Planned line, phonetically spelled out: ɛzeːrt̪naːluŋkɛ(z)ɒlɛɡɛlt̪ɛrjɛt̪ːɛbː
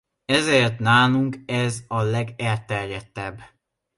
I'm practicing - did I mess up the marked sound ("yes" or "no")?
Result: no